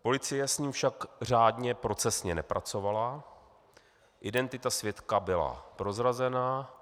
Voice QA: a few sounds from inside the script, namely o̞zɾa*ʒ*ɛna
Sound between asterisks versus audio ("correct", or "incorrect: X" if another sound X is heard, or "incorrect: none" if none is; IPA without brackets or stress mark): incorrect: z